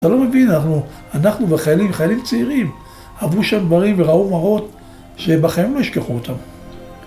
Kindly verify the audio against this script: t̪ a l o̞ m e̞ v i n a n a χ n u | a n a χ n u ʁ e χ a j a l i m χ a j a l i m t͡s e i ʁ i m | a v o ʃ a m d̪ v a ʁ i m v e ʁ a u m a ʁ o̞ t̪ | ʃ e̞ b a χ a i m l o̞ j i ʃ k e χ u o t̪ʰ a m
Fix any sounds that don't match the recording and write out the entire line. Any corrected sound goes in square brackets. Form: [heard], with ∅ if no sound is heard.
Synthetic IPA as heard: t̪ a l o̞ m e̞ v i n a n a χ n u | a n a χ n u [v] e χ a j a l i m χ a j a l i m t͡s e i ʁ i m | a v [u] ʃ a m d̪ v a ʁ i m v e ʁ a u m a ʁ o̞ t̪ | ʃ e̞ b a χ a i m l o̞ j i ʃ k e χ u o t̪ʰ a m